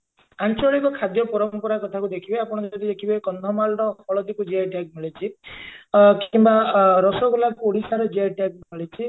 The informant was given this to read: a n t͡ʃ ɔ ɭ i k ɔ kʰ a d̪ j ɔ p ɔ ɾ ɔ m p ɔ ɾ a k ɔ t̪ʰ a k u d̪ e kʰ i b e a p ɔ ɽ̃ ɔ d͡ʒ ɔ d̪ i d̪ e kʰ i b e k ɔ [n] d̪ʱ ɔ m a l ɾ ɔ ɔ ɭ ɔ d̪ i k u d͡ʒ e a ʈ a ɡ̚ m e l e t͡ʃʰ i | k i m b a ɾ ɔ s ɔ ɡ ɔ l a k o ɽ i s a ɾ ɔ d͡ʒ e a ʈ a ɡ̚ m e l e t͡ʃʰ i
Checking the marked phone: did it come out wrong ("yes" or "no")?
no